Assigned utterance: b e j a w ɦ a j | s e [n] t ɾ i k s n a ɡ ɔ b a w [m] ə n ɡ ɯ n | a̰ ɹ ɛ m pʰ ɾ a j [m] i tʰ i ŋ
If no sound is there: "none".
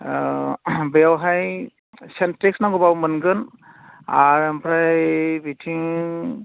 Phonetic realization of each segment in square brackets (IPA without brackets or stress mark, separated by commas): n, m, b